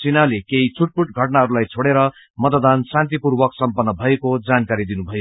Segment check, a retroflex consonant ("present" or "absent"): present